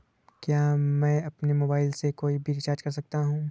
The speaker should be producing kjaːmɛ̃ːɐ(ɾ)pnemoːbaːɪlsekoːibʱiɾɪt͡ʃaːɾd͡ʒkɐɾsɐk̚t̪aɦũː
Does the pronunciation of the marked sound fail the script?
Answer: yes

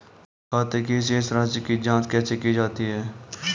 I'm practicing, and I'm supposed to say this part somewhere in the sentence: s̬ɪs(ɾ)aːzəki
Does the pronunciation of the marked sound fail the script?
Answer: no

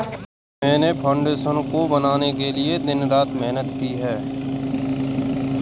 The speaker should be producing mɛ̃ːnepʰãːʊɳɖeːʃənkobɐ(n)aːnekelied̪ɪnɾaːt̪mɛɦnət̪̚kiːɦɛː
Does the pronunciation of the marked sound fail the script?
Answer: no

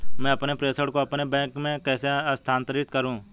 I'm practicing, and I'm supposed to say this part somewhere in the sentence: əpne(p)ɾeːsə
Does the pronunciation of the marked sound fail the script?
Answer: no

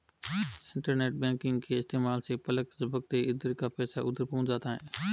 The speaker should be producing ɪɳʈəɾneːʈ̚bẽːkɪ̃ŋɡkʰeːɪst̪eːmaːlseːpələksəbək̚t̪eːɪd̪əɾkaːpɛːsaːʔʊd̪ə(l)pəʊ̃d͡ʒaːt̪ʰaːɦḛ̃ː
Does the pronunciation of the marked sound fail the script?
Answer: yes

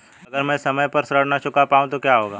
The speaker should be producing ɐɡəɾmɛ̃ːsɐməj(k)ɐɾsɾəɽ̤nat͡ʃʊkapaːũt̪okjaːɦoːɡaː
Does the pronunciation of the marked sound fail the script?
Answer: yes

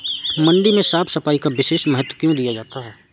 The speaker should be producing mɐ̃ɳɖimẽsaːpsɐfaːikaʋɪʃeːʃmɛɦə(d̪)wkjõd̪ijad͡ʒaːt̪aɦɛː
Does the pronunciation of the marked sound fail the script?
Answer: yes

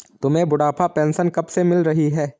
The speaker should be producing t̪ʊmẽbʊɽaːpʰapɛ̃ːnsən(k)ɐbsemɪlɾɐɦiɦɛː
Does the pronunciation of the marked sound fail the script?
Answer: no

